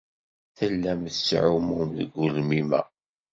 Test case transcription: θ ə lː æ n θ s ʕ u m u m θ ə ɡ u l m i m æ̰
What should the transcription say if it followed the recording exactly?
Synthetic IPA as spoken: θ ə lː æ m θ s ʕ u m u m ð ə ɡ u l m i m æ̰